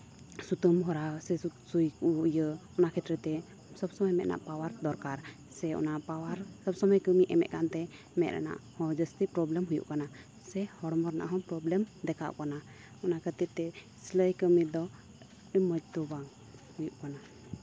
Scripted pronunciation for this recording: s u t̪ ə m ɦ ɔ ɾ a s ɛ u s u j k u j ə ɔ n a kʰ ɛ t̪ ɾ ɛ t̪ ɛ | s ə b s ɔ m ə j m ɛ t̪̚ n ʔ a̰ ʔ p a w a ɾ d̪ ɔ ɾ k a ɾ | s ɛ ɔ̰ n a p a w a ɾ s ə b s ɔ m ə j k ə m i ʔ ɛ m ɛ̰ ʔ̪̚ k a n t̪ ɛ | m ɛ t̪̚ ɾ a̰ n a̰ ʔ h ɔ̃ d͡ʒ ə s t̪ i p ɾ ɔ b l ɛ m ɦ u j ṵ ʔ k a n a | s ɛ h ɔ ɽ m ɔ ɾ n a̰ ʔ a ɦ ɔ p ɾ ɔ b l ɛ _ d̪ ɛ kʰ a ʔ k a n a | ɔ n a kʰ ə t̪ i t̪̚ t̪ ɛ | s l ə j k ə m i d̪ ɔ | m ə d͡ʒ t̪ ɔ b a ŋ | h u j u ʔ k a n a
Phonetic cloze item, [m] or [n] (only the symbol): m